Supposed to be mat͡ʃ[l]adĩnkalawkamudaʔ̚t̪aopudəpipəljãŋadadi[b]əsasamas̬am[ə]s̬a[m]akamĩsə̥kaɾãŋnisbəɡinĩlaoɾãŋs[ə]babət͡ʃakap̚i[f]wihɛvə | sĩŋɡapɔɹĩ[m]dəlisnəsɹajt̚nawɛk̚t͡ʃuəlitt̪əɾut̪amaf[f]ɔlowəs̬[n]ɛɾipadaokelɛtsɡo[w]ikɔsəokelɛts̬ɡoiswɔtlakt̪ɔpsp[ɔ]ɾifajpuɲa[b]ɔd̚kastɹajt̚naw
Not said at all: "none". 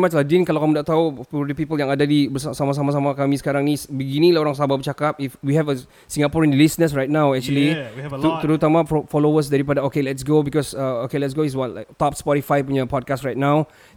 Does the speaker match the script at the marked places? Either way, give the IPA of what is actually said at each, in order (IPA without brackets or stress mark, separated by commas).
l, b, a, m, a, f, n, f, d, b, ɔ, p